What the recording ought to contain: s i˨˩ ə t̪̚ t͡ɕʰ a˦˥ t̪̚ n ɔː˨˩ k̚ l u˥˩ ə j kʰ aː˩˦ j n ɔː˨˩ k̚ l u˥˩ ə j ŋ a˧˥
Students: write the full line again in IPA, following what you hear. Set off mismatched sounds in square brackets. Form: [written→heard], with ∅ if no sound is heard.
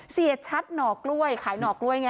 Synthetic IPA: s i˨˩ ə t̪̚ t͡ɕʰ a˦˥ t̪̚ n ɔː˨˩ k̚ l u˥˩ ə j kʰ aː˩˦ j n ɔː˨˩ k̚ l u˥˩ ə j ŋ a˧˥

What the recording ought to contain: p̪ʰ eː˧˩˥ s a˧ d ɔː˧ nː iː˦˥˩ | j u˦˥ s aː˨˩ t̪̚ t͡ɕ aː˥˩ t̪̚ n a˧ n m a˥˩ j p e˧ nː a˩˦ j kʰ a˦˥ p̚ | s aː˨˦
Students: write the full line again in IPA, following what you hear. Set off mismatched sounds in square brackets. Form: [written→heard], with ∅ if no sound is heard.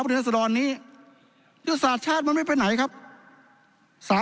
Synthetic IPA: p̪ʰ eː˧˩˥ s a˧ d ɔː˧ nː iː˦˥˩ | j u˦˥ s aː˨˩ t̪̚ [t͡ɕ→t͡ɕʰ] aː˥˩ t̪̚ [n→m] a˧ n m a˥˩ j p e˧ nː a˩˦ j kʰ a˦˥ p̚ | s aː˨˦

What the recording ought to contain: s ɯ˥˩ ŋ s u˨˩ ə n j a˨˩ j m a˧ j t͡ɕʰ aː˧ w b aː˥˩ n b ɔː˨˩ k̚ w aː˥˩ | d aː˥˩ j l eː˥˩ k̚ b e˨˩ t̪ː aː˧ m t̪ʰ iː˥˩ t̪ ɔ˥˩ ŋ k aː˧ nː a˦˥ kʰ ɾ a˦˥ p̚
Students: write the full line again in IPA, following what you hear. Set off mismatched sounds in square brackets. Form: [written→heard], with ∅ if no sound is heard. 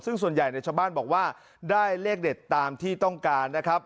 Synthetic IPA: s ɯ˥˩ ŋ s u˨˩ ə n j a˨˩ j [m→n] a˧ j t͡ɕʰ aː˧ w b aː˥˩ n b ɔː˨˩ k̚ w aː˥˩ | d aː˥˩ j l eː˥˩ k̚ [b→d] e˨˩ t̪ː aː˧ m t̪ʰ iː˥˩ t̪ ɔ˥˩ ŋ k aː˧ nː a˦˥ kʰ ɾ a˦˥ p̚

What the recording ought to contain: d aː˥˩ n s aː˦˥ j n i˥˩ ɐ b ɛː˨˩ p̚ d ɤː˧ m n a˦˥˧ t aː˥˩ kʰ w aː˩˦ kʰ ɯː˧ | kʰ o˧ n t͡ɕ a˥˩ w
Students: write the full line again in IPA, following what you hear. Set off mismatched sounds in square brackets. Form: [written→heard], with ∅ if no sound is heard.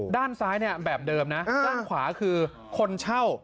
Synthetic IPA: d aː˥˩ n s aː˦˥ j n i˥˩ ɐ b ɛː˨˩ p̚ d ɤː˧ m n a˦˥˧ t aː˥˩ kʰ w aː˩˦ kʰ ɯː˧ | kʰ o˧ n [t͡ɕ→t͡ɕʰ] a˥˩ w

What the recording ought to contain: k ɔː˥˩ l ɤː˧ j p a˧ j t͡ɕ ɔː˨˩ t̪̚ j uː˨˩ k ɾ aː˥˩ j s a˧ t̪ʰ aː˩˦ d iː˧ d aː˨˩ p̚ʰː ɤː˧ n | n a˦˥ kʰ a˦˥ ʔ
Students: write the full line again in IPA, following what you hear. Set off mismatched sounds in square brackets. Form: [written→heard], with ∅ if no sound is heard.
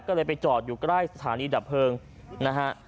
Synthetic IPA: k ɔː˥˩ l ɤː˧ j p a˧ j t͡ɕ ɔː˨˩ t̪̚ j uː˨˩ k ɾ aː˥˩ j s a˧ t̪ʰ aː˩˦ [d→n] iː˧ d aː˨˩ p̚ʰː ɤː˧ [n→ŋ] | n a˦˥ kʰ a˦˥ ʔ

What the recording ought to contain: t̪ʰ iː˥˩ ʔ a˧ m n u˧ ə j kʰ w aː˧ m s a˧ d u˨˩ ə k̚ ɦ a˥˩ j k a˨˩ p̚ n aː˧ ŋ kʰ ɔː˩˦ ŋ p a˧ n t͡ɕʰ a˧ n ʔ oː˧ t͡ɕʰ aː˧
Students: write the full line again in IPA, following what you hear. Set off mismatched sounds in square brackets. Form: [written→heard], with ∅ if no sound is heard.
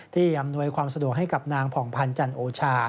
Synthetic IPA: t̪ʰ iː˥˩ ʔ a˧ m n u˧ ə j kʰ w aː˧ m s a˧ d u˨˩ ə k̚ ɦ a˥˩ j k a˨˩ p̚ n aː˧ ŋ [kʰ→pʰ] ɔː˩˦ ŋ [p→pʰ] a˧ n [t͡ɕʰ→t͡ɕ] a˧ n ʔ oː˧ t͡ɕʰ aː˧

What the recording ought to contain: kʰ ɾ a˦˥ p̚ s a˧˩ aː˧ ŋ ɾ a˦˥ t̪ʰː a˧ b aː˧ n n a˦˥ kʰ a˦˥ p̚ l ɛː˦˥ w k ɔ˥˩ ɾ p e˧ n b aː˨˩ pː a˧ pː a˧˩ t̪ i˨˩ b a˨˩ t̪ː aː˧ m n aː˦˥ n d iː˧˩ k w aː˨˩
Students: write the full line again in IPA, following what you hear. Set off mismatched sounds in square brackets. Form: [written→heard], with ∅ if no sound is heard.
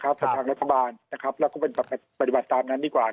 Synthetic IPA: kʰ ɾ a˦˥ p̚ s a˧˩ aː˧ ŋ ɾ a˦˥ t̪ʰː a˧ b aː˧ n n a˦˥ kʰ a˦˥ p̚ l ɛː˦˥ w k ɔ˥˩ [ɾ→∅] p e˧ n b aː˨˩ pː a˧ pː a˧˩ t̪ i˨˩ b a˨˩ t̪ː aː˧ m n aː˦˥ n d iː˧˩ k w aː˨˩

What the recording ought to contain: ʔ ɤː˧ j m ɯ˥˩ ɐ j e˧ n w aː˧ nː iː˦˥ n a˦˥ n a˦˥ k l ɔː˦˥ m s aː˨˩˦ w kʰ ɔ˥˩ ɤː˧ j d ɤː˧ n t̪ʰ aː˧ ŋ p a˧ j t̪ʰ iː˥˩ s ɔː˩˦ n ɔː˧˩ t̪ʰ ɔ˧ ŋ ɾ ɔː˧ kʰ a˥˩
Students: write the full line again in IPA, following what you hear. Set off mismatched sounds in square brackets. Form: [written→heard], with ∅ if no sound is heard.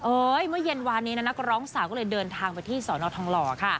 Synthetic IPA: ʔ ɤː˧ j m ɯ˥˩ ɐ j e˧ n w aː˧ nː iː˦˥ n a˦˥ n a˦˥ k [l→ɾ] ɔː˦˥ [m→ŋ] s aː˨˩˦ w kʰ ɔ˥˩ ɤː˧ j d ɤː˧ n t̪ʰ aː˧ ŋ p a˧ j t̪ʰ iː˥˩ s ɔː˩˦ n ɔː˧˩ t̪ʰ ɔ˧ ŋ [ɾ→l] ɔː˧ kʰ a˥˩

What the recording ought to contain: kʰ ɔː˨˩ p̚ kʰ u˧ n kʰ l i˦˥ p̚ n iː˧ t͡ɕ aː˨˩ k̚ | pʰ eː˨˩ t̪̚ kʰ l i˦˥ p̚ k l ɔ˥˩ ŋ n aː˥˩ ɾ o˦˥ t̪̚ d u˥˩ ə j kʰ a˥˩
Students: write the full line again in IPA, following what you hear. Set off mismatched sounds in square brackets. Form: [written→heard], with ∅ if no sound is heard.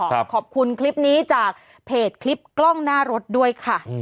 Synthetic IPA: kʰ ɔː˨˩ p̚ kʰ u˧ n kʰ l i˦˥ p̚ n [iː˧→iː˦˥] t͡ɕ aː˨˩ k̚ | pʰ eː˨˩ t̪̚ kʰ l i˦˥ p̚ k l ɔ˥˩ ŋ n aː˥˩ ɾ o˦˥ t̪̚ d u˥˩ ə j kʰ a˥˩

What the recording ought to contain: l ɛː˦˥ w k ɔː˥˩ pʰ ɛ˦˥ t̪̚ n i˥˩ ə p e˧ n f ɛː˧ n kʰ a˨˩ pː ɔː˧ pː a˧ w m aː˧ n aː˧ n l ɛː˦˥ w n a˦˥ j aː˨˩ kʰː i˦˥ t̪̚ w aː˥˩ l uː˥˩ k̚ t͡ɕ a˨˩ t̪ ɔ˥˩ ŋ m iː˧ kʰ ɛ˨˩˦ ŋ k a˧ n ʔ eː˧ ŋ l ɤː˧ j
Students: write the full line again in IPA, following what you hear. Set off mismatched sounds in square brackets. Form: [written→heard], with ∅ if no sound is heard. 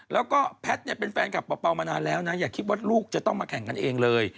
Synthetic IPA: l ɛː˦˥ w k ɔː˥˩ pʰ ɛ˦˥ t̪̚ n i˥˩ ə p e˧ n f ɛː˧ n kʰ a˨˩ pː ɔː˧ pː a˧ w m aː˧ n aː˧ n l ɛː˦˥ w n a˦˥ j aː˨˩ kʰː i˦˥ t̪̚ w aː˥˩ l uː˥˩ k̚ t͡ɕ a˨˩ t̪ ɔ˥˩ ŋ m [iː˧→aː˧] kʰ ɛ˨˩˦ ŋ k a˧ n ʔ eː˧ ŋ l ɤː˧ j

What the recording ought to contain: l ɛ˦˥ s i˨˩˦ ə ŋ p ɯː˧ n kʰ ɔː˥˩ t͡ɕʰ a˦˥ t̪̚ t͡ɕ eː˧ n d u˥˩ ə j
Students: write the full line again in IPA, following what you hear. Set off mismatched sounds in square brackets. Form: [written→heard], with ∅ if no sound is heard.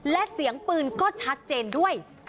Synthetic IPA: l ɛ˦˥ s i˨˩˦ ə ŋ p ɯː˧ n [kʰ→k] ɔː˥˩ t͡ɕʰ a˦˥ t̪̚ t͡ɕ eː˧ n d u˥˩ ə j

